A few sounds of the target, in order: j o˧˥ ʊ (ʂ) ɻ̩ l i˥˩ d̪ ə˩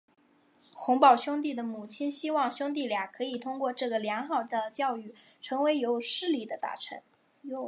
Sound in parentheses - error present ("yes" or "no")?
no